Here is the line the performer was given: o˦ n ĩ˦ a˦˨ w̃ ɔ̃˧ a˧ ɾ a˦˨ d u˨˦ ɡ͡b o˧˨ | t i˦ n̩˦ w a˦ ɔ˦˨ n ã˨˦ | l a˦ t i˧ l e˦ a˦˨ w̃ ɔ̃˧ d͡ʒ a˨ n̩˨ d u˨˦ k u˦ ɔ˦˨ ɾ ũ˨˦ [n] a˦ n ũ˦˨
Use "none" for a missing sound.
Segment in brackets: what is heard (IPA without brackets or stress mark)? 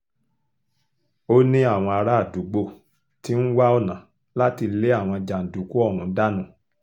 d